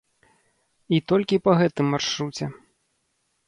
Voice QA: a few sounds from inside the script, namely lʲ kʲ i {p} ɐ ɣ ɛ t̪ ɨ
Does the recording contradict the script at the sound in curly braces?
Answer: no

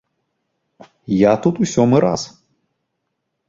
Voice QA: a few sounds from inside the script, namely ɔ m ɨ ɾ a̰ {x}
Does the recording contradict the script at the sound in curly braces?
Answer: yes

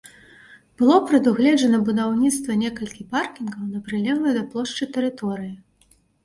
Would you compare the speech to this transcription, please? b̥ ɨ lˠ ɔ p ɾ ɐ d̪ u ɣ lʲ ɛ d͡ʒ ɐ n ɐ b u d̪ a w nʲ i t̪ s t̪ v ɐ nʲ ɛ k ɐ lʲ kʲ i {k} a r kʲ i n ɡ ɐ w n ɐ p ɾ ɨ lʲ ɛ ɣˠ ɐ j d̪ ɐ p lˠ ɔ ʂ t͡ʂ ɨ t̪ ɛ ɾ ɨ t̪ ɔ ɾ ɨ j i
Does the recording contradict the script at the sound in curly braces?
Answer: yes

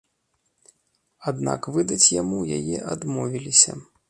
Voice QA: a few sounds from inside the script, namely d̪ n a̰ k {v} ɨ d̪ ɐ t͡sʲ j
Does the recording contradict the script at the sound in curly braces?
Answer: no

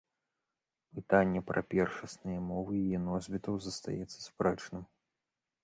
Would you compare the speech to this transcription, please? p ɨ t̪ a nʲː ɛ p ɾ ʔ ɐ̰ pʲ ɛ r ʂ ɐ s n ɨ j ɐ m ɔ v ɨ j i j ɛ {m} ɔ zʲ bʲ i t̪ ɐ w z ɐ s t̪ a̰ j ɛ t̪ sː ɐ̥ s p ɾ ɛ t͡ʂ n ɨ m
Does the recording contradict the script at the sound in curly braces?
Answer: yes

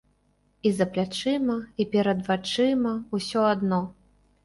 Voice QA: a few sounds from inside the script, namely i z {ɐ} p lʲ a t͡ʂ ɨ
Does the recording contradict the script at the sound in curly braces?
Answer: no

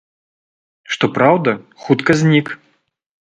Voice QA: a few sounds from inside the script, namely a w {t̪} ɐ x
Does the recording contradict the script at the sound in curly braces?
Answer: yes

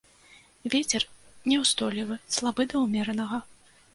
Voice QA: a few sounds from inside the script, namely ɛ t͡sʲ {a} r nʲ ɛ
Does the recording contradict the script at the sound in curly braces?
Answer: yes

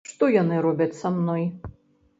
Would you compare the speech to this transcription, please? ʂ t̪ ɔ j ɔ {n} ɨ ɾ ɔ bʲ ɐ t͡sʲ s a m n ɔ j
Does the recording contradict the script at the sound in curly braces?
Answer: no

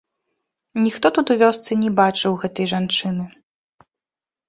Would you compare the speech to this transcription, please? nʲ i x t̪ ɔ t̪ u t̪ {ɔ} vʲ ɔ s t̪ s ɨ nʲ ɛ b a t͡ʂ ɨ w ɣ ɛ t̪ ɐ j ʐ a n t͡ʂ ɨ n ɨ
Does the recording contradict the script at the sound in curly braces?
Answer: yes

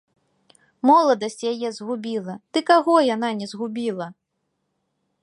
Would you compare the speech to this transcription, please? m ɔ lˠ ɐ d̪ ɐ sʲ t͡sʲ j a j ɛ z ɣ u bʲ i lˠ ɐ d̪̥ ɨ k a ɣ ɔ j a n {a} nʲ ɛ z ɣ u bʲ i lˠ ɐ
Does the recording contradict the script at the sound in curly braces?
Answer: no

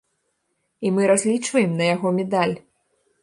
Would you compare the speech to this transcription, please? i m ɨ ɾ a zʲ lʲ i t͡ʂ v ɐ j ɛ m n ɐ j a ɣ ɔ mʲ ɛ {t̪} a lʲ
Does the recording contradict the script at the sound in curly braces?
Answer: yes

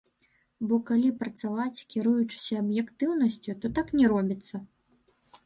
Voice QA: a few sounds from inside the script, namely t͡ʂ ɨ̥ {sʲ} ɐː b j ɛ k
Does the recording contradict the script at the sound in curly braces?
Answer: no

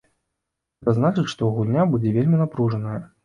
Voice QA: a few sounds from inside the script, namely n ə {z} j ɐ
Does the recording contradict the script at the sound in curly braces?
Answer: yes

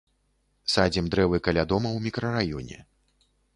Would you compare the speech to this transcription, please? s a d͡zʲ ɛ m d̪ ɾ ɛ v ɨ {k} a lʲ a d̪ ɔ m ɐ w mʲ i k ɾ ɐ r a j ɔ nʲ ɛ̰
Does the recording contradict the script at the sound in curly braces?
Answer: no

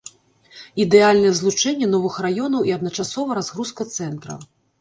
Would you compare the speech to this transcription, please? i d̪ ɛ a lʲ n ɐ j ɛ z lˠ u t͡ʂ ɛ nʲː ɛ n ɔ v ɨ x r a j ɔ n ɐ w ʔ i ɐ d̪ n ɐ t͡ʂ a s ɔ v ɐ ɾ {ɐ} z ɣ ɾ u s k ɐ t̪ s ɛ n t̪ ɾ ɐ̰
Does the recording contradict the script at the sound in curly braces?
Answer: yes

